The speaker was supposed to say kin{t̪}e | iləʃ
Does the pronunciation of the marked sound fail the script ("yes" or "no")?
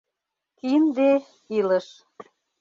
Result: yes